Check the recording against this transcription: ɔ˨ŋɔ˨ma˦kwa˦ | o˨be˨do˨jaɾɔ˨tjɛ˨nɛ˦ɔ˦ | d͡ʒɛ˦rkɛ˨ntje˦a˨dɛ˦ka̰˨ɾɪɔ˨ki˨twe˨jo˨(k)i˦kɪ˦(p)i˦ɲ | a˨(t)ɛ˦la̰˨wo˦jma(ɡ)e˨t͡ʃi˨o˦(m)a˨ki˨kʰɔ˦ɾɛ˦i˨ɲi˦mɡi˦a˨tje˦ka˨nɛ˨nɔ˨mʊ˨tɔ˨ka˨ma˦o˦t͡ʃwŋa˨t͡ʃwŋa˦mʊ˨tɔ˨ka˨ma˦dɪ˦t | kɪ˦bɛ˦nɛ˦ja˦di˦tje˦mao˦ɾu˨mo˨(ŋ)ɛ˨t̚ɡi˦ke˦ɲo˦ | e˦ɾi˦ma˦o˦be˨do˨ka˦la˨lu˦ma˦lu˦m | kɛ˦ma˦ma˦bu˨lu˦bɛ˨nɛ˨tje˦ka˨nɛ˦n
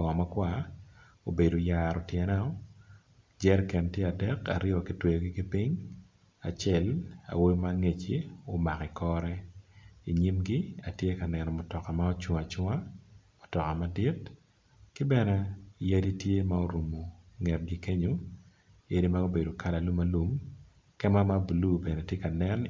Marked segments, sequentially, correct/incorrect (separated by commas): incorrect, correct, incorrect, incorrect, correct, correct